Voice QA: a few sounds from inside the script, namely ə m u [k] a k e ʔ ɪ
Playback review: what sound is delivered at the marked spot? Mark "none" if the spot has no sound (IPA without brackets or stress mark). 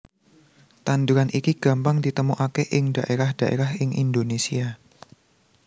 ʔ